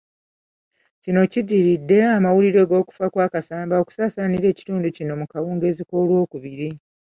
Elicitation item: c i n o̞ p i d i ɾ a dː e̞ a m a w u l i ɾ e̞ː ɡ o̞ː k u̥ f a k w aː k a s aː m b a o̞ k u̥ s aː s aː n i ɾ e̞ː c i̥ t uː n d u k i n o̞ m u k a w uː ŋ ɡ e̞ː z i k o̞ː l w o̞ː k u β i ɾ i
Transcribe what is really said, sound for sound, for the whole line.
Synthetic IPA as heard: c i n o̞ c i d i ɾ i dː e̞ a m a w u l i ɾ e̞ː ɡ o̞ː k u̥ f a k w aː k a s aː m b a o̞ k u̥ s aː s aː n i ɾ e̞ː c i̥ t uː n d u c i n o̞ m u k a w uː ŋ ɡ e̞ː z i k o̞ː l w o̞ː k u β i ɾ i